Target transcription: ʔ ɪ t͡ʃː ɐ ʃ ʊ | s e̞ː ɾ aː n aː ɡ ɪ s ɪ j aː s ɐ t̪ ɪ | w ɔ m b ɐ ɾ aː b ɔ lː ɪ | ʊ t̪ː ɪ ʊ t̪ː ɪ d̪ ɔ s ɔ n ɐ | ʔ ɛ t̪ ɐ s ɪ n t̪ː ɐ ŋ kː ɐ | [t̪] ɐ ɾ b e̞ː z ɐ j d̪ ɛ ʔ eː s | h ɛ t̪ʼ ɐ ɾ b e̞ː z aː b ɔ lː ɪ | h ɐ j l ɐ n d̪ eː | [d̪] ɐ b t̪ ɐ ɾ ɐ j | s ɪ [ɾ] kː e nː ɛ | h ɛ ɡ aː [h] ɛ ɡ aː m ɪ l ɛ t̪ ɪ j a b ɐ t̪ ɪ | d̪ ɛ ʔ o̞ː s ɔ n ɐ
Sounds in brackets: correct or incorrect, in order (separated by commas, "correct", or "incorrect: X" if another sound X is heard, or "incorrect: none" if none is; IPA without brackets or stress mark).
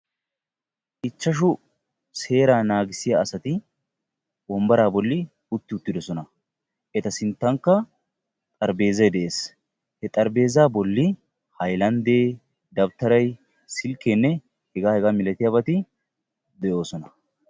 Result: incorrect: t̪ʼ, correct, incorrect: l, correct